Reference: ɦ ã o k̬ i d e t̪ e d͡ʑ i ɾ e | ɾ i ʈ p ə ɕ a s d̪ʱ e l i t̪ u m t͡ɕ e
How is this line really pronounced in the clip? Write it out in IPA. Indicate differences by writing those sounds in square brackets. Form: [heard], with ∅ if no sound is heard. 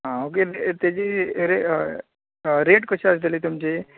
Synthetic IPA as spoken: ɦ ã o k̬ [e] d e t̪ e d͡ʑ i ɾ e | ɾ [e] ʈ [k] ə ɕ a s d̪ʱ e l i t̪ u m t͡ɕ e